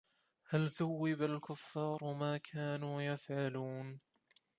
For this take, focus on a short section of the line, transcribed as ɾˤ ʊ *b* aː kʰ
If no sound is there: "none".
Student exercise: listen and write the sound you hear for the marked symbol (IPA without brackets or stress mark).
m